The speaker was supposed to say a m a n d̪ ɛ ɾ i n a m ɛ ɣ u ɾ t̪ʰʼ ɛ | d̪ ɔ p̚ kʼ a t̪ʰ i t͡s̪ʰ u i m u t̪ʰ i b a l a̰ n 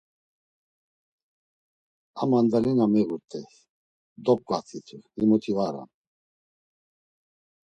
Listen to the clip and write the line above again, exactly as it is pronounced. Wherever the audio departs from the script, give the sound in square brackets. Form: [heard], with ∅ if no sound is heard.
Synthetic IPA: a m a n d̪ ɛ [l] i n a m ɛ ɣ u ɾ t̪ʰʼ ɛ | d̪ ɔ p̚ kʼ a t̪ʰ i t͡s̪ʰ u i m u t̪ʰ i [v] a [ɾ] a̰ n